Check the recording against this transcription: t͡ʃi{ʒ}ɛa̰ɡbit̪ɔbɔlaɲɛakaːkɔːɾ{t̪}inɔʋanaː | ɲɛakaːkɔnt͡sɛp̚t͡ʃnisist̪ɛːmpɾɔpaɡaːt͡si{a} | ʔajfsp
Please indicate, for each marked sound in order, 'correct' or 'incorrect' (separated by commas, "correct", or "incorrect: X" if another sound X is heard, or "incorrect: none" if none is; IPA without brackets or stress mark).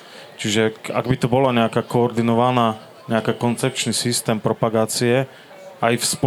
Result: correct, incorrect: d̪, incorrect: ɛ